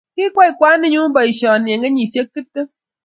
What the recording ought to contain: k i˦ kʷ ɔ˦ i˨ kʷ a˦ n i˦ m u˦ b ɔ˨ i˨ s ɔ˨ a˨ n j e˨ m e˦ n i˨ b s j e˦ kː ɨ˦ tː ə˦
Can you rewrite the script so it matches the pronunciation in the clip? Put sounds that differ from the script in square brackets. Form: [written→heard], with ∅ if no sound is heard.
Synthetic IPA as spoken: k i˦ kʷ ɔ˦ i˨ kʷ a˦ n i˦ [m→ɲ] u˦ b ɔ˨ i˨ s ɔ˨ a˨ n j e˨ [m→ŋ] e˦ [n→ɲ] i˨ [b→∅] s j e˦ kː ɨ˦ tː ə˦